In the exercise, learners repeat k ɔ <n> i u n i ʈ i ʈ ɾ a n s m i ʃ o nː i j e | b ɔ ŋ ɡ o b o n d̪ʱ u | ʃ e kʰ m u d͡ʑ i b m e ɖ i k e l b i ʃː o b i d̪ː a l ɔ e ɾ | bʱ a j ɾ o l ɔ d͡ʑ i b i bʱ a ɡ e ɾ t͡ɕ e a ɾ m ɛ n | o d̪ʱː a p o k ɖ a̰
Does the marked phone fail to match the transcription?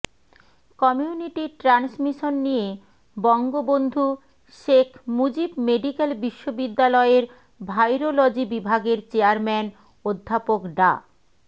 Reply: yes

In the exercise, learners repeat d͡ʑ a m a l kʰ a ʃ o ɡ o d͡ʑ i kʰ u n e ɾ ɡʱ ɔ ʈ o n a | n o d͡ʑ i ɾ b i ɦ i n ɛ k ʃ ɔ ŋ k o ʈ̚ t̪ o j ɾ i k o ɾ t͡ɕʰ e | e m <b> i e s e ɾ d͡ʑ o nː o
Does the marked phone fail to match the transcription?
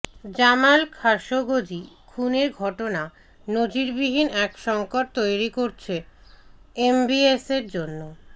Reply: no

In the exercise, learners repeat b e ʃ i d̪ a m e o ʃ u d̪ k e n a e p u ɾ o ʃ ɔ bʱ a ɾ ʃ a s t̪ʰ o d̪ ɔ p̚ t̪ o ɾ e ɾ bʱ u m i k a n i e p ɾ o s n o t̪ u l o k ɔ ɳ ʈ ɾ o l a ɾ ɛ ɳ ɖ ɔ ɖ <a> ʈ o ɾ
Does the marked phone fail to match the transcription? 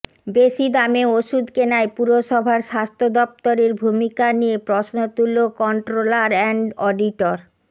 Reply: yes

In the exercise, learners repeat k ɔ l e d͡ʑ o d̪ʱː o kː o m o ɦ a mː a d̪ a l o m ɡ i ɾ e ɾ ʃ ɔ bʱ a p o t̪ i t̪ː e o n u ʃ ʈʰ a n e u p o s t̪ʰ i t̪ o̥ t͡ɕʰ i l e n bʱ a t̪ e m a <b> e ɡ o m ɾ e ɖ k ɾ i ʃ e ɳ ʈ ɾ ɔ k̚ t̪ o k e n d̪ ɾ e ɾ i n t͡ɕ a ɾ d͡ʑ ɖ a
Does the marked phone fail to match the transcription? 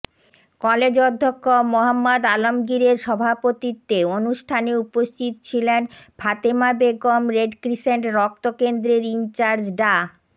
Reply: no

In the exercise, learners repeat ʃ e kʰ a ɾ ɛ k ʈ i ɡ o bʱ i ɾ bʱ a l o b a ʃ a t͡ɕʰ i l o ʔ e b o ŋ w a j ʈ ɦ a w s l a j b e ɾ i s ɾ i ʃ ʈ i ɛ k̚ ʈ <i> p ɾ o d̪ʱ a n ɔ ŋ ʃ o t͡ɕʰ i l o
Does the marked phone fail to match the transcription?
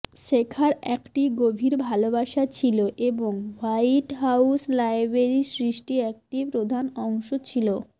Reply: no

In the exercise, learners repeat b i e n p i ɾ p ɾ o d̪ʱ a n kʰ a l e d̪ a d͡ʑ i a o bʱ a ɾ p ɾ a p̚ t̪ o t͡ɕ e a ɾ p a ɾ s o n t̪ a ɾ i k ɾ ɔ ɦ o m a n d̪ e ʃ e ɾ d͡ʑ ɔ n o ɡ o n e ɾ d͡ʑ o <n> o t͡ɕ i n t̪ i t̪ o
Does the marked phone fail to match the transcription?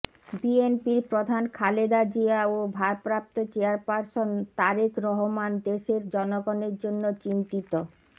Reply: yes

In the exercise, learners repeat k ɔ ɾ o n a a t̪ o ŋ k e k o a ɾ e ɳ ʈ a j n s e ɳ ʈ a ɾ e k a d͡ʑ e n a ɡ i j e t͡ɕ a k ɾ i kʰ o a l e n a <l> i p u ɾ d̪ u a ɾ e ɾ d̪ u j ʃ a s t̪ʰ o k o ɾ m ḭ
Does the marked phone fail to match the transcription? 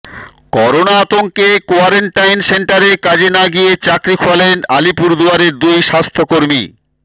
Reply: no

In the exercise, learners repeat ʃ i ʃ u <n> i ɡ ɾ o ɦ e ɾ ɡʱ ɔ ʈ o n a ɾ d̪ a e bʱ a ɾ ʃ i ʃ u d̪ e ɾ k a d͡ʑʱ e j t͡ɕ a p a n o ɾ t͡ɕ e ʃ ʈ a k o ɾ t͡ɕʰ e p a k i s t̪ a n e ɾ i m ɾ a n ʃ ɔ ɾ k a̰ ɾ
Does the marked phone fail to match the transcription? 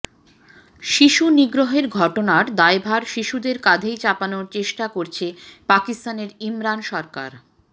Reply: no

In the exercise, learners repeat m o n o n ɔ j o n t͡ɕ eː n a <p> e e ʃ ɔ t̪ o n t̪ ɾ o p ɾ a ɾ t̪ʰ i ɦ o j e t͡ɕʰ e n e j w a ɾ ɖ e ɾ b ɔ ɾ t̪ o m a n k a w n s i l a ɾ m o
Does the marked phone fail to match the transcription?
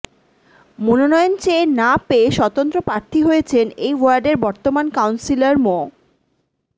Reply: no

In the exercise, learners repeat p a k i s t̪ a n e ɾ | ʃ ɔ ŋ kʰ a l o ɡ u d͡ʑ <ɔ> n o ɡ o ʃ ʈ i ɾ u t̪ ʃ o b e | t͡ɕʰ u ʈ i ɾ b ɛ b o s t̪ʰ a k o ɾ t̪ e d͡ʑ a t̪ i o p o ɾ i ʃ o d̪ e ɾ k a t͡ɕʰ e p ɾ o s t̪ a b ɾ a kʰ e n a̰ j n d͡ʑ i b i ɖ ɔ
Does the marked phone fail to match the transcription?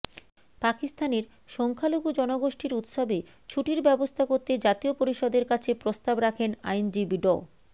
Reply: no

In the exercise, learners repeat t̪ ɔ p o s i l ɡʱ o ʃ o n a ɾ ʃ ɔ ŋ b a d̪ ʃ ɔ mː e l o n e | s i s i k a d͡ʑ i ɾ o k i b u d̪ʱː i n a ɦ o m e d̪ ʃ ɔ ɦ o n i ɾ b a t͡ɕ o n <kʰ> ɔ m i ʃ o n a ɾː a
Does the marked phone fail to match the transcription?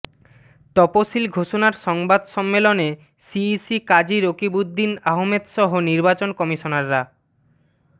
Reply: yes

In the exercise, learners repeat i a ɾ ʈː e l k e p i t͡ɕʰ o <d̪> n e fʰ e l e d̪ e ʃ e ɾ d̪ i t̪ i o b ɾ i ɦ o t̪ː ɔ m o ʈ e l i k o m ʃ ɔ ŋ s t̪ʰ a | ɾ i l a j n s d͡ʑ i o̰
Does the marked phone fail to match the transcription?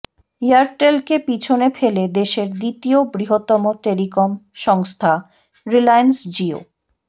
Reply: yes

